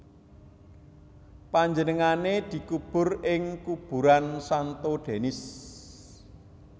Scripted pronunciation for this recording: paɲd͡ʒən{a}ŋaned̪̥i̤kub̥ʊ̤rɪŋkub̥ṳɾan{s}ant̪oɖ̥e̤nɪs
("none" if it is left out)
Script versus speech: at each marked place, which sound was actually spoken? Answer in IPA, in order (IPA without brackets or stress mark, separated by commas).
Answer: ə, s